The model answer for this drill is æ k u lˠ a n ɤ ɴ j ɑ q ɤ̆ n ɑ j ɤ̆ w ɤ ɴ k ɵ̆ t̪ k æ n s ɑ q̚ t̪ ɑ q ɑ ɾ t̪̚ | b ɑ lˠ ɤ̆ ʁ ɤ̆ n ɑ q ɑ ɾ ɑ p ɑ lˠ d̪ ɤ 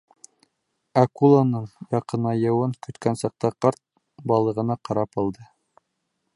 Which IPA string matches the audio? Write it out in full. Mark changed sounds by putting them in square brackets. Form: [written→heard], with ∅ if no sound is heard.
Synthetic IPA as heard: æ k u lˠ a n ɤ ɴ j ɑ q ɤ̆ n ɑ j ɤ̆ w ɤ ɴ k ɵ̆ t̪ k æ n s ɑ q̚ t̪ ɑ q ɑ ɾ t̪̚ | b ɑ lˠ ɤ̆ ʁ ɤ̆ n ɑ q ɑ ɾ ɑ p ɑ lˠ d̪ ɤ